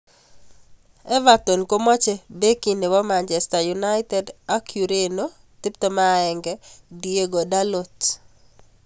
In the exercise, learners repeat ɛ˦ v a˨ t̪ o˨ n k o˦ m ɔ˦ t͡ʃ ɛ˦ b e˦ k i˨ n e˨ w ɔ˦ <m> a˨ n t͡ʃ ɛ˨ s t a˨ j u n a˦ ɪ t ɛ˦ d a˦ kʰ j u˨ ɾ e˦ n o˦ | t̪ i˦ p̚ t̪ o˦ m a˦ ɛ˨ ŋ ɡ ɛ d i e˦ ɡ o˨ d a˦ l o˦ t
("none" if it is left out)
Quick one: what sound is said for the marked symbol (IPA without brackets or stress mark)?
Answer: m